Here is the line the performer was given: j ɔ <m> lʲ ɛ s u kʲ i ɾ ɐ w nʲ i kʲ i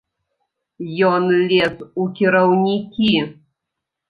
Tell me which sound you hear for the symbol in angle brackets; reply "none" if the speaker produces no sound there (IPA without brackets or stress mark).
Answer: n